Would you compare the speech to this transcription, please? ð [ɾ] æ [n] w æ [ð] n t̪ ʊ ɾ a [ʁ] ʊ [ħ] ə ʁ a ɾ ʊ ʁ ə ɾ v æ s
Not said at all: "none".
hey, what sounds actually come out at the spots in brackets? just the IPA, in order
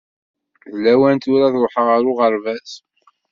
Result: l, none, none, ð, ħ

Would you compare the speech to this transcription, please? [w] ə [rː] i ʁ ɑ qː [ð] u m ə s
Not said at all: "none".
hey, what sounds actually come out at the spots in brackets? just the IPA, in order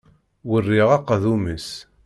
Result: w, rː, ð

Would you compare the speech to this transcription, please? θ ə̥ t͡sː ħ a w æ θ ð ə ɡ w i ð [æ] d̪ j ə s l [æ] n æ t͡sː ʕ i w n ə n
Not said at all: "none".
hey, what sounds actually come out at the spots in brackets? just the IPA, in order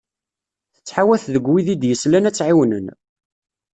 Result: i, æ

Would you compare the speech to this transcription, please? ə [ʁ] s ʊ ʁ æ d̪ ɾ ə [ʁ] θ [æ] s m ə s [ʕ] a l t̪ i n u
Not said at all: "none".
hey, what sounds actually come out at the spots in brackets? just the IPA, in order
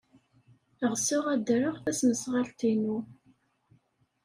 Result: ʁ, ʁ, æ, ʁ

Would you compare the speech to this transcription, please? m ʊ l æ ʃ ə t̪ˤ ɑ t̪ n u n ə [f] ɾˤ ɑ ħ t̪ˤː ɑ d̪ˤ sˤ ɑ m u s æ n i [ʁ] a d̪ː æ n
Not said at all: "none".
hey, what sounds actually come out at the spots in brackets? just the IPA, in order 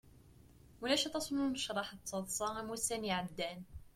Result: ʃ, ʕ

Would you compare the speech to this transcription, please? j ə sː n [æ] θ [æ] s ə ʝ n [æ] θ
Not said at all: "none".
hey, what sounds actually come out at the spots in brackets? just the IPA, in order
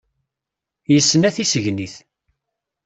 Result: æ, i, i

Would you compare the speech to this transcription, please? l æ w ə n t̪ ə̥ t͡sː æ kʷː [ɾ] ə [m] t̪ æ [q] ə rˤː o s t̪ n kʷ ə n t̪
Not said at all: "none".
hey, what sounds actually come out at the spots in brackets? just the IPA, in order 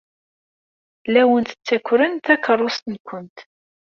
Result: ɾ, n, k

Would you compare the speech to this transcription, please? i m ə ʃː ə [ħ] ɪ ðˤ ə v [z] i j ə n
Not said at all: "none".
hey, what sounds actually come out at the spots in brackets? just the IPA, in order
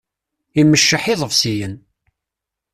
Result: ħ, s

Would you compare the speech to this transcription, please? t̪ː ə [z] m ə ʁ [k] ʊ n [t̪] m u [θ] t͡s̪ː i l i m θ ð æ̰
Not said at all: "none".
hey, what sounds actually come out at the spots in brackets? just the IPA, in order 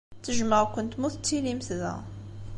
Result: ʒ, k, t̪, θ

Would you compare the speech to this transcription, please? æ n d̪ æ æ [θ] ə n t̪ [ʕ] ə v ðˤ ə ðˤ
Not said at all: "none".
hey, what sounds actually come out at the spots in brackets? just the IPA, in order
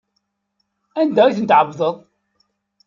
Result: θ, ʕ

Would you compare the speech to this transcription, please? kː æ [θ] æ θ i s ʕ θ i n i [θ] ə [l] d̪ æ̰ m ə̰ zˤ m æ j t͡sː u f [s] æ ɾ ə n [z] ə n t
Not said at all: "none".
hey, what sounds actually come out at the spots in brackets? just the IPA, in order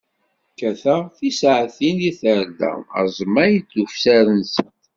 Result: θ, θ, ɾ, s, s

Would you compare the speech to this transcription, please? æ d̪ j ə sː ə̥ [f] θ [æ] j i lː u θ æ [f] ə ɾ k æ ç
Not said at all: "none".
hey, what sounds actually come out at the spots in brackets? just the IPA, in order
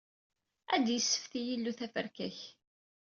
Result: f, i, f

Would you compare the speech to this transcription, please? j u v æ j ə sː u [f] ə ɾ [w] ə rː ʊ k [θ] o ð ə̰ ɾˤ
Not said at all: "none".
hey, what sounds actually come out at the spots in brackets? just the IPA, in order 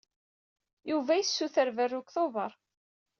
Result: θ, v, θ

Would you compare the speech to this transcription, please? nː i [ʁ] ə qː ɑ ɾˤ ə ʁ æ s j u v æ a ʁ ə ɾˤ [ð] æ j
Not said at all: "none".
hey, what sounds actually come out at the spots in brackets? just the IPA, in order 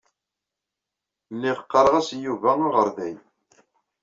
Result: ʁ, ð

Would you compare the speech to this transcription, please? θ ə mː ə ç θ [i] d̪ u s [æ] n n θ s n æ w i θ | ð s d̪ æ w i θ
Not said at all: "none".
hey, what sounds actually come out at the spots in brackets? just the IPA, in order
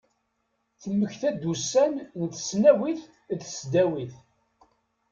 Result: æ, æ

